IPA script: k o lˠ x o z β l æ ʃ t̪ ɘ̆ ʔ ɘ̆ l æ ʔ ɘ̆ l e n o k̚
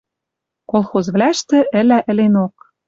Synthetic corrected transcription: k o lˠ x o z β l æ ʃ t̪ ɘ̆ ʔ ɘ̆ l æ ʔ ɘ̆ l e n o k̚